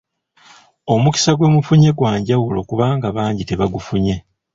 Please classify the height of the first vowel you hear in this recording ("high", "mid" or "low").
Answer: mid